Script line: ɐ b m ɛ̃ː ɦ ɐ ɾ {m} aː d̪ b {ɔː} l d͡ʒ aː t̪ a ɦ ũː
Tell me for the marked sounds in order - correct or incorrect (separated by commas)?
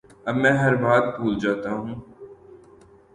incorrect, incorrect